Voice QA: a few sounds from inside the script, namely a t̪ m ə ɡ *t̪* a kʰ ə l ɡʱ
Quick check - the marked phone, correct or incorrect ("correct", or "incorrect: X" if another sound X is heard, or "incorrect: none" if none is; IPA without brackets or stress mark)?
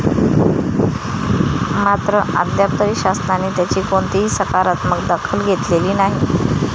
incorrect: d̪